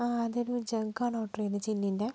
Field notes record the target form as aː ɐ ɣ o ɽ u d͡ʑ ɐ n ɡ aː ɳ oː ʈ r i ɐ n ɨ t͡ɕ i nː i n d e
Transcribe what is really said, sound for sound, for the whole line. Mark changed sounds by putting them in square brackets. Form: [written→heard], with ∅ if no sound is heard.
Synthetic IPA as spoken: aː ɐ [ɣ→ð] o [ɽ→ɾ] u d͡ʑ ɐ [n→ŋ] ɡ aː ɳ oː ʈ r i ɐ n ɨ t͡ɕ i nː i n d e